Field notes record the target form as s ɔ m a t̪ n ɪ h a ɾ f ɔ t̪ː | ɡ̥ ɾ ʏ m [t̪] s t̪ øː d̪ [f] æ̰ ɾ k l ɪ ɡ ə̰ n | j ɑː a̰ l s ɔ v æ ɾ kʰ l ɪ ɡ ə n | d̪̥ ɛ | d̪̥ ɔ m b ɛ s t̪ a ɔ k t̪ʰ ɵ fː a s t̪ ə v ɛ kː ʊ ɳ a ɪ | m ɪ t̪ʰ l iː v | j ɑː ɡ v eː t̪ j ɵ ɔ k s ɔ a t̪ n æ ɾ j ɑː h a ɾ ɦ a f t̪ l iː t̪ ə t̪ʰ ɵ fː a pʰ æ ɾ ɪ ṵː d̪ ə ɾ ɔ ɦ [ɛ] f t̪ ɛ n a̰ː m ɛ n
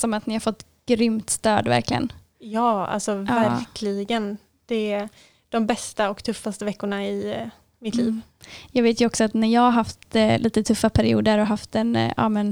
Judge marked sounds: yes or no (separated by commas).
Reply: yes, no, no